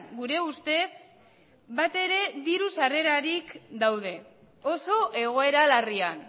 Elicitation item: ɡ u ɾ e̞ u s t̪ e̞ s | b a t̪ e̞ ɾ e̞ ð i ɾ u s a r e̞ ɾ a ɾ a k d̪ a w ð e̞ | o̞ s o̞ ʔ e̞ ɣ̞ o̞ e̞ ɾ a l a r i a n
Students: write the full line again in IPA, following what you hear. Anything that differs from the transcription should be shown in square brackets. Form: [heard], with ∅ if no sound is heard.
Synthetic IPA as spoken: ɡ u ɾ e̞ u s t̪ e̞ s | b a t̪ e̞ ɾ e̞ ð i ɾ u s a r e̞ ɾ a ɾ [i] k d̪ a w ð e̞ | o̞ s o̞ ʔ e̞ ɣ̞ o̞ e̞ ɾ a l a r i a n